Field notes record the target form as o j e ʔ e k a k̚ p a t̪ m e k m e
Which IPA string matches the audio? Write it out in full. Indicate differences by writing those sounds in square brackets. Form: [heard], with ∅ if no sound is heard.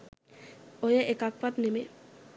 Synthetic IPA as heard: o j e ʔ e k a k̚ p a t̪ [n] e [∅] m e